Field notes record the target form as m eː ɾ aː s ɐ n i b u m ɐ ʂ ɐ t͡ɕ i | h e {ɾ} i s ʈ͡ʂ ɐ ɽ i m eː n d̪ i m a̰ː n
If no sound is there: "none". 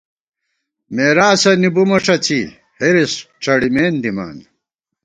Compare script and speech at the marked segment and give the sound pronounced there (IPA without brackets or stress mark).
ɾ